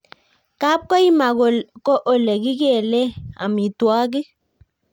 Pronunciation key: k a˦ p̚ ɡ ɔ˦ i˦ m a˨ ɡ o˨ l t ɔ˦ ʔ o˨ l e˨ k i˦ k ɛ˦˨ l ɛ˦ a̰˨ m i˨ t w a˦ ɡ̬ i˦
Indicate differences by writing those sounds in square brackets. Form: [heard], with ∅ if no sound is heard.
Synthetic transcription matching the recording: k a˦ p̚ [k] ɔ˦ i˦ m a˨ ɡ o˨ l [k] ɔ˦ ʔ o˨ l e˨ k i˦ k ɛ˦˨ l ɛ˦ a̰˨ m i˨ t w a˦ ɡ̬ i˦

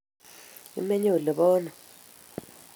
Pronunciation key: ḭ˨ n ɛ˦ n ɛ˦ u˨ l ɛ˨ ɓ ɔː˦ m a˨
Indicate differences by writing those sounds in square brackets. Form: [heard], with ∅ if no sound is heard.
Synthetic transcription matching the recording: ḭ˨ [m] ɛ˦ [ɲ] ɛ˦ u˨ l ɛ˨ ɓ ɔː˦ [n] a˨

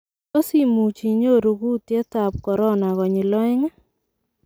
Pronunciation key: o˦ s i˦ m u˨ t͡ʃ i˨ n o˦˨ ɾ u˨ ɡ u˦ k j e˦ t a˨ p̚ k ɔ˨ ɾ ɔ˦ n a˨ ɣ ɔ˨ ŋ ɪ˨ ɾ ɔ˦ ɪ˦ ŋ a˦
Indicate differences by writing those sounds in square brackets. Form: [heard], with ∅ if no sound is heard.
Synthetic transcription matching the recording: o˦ s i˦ m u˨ t͡ʃ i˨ [ɲ] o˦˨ ɾ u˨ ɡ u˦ [t] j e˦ t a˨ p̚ k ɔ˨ ɾ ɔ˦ n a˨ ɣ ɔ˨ [ɲ] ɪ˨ [l] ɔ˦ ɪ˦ ŋ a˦

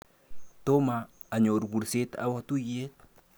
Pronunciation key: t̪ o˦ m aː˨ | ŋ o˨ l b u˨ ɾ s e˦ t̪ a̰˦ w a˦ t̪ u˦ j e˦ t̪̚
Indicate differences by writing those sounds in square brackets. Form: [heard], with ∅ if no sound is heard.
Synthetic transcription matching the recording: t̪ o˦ m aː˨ | [ɲ] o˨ [ɾ] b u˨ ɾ s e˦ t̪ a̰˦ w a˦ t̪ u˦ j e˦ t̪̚

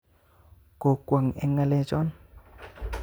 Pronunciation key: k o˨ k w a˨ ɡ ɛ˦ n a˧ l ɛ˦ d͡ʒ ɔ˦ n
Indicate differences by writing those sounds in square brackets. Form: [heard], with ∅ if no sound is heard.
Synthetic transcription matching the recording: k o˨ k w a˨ [ŋ] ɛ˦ [ŋ] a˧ l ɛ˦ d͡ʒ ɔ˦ n

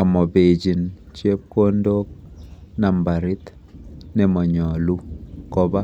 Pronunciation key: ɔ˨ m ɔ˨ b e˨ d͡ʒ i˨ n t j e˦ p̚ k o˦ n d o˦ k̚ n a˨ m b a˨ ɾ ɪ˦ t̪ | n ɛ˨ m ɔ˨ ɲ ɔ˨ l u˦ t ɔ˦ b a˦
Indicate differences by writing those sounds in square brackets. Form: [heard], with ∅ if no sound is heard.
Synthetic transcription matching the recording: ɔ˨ m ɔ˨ b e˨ d͡ʒ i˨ n [t͡ʃ] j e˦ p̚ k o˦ n d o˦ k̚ n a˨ m b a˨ ɾ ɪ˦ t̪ | n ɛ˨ m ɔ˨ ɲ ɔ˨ l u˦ [k] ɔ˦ b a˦

